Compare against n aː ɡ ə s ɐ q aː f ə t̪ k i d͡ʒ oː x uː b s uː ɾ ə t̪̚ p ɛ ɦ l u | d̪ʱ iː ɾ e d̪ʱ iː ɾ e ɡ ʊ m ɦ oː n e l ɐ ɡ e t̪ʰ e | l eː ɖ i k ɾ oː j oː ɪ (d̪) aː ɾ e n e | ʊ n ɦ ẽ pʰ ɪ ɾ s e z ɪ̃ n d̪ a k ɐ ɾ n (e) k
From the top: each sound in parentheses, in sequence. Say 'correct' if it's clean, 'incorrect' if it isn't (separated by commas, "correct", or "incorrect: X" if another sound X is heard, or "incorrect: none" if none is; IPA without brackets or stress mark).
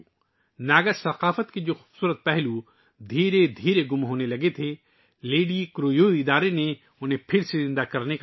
correct, correct